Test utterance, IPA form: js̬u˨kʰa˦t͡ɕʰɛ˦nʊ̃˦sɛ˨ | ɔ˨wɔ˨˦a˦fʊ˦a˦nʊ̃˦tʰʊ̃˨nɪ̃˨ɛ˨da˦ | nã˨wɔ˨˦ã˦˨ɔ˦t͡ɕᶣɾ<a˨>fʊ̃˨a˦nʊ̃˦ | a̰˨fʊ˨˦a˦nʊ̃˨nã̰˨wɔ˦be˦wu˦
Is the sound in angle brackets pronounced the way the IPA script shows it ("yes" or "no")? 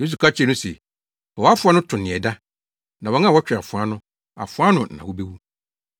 yes